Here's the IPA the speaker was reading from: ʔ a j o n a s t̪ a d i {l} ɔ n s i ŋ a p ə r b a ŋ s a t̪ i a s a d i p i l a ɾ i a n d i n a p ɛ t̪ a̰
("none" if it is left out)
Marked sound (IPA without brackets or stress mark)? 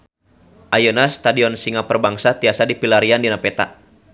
none